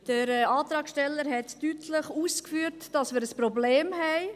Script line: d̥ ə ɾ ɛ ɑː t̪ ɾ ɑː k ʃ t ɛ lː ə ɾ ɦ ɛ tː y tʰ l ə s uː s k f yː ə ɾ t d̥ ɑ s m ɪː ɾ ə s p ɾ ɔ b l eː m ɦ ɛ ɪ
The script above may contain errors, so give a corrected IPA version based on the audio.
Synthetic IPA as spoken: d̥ ə ɾ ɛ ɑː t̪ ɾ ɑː k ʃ t ɛ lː ə ɾ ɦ ɛ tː y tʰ l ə χ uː s k f yː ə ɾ t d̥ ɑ s m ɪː ɾ ə s p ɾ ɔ b l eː m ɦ ɛ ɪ